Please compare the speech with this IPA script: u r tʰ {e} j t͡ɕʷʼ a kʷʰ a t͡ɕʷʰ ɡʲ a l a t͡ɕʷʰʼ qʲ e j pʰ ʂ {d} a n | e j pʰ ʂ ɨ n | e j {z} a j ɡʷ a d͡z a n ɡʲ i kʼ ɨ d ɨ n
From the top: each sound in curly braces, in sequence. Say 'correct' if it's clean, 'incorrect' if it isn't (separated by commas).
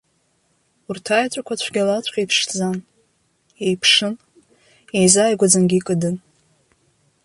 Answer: incorrect, incorrect, correct